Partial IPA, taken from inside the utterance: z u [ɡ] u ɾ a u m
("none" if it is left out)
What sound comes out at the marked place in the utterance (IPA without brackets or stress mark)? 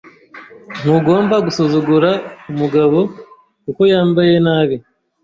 ɡ